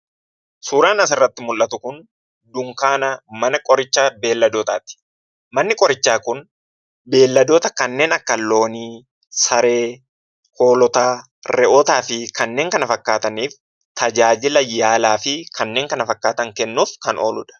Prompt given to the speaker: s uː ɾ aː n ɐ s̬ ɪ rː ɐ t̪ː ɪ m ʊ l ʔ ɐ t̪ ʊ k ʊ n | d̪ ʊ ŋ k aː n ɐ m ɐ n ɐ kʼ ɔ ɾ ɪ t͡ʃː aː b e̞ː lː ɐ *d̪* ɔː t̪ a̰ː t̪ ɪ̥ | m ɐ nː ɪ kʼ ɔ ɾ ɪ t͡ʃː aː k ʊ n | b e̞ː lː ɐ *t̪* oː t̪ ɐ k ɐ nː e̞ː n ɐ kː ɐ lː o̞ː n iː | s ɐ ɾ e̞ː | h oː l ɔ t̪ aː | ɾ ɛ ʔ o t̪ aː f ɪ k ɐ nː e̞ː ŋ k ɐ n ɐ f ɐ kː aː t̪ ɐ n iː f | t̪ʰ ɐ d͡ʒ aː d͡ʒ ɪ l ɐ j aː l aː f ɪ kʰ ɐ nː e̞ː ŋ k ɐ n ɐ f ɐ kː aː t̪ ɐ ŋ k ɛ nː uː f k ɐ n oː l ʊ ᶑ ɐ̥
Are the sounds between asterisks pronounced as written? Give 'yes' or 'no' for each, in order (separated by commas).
yes, no